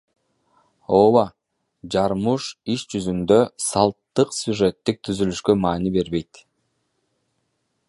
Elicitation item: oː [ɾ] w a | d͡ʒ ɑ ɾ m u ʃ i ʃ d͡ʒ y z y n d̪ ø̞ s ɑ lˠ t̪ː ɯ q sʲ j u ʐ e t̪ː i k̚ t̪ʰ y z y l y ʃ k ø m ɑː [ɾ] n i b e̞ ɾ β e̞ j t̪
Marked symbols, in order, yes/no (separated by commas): no, no